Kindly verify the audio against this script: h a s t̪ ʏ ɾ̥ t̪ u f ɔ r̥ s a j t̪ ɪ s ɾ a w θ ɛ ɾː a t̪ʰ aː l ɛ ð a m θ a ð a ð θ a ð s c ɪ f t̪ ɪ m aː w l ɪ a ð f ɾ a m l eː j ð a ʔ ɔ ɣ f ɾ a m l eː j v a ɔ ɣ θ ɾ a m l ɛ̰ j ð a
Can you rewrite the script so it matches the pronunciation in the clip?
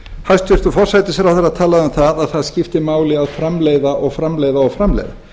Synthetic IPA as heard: h a s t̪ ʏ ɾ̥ t̪ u f ɔ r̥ s a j t̪ ɪ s ɾ a w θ ɛ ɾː a t̪ʰ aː l a ð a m θ a ð a ð θ a ð s c ɪ f t̪ ɪ m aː w l ɪ a ð f ɾ a m l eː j ð a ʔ ɔ ɣ f ɾ a m l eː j ð a ɔ ɣ f ɾ a m l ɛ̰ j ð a

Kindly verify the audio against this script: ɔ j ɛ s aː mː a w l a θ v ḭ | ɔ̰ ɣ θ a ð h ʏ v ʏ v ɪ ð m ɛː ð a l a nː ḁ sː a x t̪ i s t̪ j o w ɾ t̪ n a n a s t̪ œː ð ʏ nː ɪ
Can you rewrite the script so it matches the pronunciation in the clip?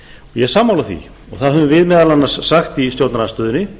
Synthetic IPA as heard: ɔ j ɛ s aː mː a w l a θ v ḭ | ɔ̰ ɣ θ a ð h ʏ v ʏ v ɪ ð m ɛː ð a l a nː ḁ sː a x t̪ i s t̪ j o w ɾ t̪ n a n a s t̪ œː ð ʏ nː ɪ

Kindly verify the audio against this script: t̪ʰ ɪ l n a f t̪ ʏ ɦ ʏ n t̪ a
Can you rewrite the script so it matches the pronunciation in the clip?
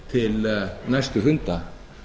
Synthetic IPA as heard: t̪ʰ ɪ l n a s t̪ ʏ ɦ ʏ n t̪ a

